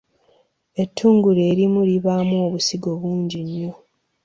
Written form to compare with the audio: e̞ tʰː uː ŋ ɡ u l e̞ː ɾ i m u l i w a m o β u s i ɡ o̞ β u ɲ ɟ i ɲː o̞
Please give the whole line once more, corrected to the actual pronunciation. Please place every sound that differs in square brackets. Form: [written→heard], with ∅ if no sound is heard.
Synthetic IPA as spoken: e̞ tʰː uː ŋ ɡ u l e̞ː ɾ i m u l i [w→β] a m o β u s i ɡ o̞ β [u→uː] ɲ ɟ i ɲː o̞